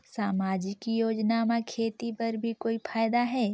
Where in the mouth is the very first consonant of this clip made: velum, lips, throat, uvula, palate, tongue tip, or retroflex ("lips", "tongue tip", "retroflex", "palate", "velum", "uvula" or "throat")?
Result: tongue tip